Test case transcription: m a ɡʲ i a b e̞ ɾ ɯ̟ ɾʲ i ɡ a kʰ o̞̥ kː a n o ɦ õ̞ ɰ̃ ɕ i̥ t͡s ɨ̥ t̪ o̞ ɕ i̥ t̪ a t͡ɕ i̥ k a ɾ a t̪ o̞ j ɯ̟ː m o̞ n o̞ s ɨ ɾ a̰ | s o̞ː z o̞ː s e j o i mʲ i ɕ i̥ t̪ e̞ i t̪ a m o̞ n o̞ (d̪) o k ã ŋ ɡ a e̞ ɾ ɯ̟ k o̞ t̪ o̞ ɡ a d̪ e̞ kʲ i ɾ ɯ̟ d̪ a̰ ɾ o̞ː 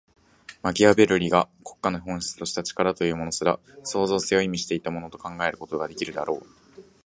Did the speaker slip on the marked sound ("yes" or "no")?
yes